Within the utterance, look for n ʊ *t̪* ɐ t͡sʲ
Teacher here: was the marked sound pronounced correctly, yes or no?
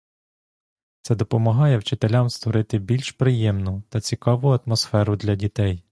yes